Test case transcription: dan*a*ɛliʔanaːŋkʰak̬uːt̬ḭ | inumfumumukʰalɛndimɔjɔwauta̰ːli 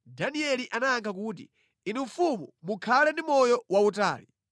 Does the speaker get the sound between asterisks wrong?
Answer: yes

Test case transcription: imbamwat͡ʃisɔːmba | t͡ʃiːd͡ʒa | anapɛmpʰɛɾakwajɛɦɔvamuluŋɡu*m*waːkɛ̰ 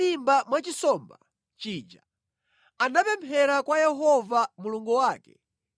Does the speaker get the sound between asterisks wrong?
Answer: yes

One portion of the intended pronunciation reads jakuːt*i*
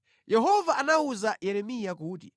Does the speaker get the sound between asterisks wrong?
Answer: no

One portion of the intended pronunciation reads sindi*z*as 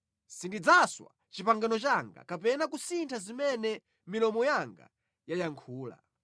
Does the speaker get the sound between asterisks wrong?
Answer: yes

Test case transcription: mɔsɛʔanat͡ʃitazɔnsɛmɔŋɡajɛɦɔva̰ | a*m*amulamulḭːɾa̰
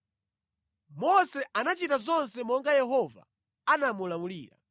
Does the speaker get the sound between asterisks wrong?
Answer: yes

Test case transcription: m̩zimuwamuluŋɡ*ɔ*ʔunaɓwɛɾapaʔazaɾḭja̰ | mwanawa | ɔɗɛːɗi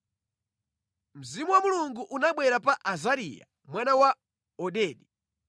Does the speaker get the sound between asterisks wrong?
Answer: yes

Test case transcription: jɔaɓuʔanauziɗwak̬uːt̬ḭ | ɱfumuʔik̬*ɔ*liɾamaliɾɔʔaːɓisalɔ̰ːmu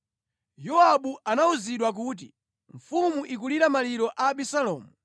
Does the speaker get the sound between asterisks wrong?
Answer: yes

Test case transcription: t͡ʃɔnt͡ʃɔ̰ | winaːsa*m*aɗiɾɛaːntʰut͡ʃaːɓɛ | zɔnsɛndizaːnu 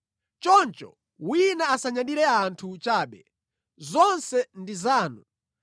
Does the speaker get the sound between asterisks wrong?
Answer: yes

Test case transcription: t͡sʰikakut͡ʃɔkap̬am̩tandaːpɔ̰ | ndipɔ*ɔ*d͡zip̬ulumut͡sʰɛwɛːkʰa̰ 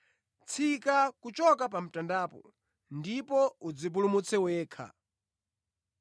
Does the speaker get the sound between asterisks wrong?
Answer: yes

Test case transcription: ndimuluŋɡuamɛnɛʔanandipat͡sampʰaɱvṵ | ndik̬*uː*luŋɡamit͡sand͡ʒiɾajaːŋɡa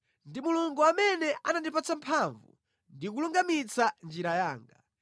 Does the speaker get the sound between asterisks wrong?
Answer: yes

